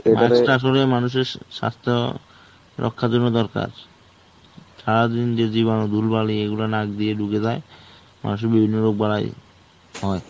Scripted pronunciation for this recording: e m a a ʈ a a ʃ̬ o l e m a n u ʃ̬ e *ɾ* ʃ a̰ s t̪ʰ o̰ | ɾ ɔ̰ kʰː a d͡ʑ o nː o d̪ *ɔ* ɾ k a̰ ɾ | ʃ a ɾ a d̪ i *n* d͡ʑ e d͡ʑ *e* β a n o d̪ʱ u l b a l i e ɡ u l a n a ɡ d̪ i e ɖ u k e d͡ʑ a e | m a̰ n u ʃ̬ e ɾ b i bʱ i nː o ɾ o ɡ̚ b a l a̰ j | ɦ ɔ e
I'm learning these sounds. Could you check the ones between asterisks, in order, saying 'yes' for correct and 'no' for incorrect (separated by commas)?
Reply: yes, yes, yes, no